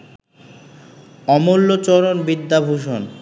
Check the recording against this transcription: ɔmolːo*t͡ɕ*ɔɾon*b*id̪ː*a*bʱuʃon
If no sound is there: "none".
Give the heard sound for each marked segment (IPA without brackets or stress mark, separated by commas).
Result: t͡ɕ, b, a